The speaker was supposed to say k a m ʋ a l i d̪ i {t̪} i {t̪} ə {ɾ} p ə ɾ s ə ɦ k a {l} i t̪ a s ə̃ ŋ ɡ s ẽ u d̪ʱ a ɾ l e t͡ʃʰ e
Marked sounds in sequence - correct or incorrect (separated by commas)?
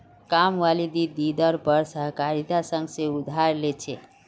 incorrect, incorrect, correct, incorrect